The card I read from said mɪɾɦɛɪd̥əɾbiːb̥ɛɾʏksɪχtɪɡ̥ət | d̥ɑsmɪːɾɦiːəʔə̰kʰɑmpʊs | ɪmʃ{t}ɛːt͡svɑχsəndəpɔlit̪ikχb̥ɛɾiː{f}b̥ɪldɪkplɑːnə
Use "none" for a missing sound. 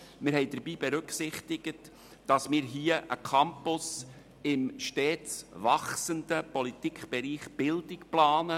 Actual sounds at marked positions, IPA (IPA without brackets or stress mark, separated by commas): t, χ